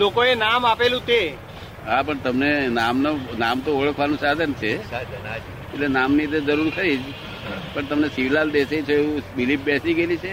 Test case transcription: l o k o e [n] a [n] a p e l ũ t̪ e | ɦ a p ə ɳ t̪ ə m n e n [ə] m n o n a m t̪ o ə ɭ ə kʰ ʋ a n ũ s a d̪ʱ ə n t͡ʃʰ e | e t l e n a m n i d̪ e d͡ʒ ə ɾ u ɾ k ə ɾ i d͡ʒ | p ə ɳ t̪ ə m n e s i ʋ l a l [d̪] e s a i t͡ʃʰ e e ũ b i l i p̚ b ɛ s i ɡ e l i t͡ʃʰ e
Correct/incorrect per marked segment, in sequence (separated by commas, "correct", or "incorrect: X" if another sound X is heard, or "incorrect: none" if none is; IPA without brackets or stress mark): correct, incorrect: m, incorrect: a, correct